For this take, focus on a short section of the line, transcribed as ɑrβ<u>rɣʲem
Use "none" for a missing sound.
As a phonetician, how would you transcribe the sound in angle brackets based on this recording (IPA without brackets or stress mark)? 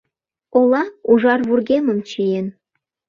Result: u